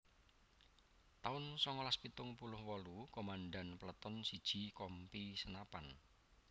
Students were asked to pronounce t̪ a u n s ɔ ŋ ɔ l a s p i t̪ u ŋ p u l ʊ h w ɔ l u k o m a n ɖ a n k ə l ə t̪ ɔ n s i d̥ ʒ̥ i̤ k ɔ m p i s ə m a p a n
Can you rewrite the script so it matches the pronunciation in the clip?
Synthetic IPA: t̪ a ʊ n s ɔ ŋ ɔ l a s p i t̪ ʊ ŋ p u l ʊ h w ɔ l u k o m a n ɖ a n p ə l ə t̪ ɔ n s i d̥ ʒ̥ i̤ k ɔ m p i s ə n a p a n